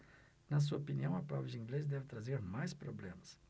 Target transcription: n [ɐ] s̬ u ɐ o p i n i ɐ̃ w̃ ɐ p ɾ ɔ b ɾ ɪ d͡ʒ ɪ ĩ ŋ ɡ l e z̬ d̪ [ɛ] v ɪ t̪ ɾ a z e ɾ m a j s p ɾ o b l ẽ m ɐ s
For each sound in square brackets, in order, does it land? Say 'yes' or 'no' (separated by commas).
yes, yes